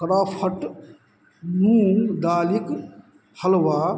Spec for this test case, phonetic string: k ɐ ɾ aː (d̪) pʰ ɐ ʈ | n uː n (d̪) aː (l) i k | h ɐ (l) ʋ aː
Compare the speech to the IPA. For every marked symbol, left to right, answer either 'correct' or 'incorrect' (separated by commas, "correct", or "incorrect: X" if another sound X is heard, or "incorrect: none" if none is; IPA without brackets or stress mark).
incorrect: none, correct, correct, correct